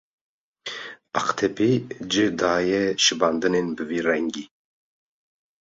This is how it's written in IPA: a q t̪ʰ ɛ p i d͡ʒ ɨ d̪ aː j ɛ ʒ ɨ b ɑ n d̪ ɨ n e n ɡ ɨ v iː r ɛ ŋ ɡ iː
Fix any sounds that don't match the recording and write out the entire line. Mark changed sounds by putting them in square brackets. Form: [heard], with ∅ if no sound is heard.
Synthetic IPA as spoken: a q t̪ʰ ɛ p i d͡ʒ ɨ d̪ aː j ɛ [ʃ] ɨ b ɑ n d̪ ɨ n e n [b] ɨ v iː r ɛ ŋ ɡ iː